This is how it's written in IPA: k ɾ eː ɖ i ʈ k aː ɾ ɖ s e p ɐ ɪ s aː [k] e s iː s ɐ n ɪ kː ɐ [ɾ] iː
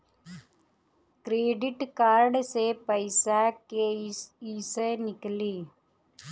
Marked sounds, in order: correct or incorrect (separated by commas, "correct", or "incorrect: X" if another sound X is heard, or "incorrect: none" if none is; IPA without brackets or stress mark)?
correct, incorrect: l